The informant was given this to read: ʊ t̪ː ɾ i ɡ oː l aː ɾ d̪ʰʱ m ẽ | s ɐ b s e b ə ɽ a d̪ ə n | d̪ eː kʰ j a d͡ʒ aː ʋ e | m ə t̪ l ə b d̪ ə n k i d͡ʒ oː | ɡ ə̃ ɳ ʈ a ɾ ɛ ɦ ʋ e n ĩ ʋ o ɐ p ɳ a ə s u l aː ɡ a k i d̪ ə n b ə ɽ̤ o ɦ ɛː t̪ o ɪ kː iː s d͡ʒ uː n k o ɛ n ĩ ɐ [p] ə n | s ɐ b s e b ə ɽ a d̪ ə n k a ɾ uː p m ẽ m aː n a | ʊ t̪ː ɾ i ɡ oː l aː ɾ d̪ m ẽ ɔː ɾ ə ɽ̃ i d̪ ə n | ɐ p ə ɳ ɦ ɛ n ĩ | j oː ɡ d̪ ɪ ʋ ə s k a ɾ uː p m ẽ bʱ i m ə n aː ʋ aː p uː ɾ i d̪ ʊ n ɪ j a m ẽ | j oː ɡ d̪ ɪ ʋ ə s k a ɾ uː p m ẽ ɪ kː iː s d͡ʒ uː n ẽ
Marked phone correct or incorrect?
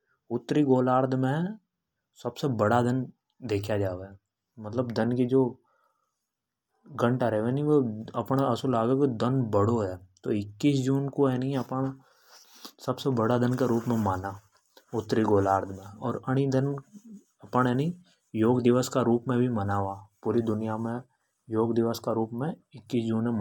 correct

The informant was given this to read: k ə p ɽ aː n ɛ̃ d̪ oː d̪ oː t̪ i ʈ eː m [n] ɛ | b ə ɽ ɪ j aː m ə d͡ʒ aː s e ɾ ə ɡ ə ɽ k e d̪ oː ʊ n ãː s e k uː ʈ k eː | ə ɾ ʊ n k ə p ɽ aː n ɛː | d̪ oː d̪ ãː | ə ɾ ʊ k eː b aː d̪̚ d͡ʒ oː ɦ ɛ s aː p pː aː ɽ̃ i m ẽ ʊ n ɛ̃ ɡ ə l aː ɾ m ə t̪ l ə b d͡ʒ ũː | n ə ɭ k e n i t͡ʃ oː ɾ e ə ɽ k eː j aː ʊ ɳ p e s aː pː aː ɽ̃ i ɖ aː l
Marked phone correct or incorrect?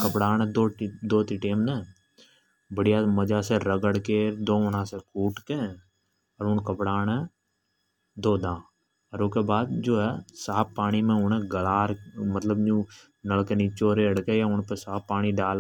correct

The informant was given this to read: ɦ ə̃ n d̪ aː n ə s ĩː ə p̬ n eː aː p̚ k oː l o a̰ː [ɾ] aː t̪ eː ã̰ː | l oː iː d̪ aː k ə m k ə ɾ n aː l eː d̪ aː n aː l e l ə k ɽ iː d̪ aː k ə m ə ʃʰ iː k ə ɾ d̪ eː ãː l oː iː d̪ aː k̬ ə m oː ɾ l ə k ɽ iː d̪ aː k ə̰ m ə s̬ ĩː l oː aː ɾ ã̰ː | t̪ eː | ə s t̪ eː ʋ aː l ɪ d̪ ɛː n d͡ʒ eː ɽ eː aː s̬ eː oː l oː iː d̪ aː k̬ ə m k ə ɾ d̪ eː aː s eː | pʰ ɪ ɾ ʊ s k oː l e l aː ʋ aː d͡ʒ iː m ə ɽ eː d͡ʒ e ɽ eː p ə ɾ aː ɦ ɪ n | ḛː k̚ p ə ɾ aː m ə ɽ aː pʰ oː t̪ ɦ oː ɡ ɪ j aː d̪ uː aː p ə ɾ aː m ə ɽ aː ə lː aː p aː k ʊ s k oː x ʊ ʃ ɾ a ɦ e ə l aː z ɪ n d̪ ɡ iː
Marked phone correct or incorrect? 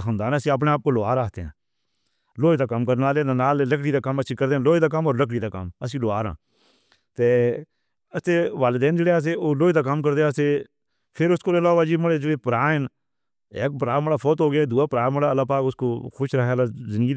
correct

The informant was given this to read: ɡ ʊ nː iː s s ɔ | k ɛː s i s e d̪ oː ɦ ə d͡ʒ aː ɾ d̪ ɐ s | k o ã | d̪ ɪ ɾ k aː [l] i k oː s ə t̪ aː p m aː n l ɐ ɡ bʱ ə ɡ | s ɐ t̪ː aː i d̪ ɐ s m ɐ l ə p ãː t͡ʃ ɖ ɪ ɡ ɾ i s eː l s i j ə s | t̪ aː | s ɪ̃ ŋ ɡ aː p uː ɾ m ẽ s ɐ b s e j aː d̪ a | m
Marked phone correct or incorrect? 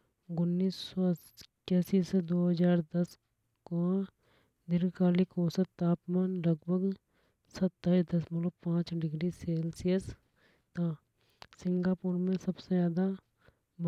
correct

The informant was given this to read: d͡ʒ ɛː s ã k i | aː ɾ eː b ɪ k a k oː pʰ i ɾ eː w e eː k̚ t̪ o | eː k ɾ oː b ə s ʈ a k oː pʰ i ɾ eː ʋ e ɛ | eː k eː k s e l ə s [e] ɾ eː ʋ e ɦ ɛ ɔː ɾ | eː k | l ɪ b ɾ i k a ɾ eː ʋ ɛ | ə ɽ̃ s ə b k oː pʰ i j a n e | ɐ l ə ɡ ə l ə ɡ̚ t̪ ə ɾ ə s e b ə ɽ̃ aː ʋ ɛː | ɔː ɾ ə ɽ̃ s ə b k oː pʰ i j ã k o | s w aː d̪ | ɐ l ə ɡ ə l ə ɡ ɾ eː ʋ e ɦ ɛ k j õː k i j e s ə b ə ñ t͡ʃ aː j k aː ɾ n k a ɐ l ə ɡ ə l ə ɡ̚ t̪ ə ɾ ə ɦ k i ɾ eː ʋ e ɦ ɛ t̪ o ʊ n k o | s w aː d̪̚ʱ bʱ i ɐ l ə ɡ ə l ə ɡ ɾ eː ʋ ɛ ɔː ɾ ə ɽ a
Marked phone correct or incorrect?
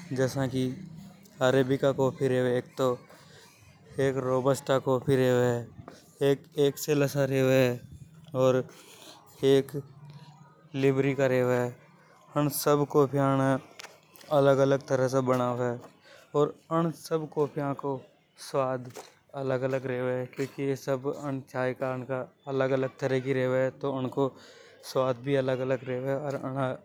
incorrect: a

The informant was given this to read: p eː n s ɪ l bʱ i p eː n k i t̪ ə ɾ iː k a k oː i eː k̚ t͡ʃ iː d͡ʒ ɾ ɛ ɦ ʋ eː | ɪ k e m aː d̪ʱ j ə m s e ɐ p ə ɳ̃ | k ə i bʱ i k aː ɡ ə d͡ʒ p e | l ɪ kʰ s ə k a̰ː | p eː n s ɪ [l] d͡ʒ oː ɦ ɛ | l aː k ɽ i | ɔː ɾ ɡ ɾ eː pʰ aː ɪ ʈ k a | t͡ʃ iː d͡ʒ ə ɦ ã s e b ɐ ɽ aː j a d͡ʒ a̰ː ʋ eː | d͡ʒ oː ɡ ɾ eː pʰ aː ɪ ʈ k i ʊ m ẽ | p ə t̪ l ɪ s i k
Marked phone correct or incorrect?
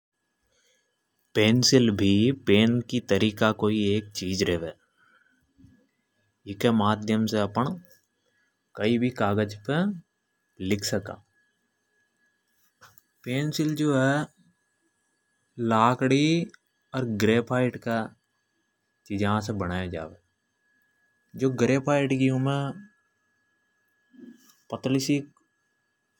correct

